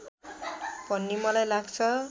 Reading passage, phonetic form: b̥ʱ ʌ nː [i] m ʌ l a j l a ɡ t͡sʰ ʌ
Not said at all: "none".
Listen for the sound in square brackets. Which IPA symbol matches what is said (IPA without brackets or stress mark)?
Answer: i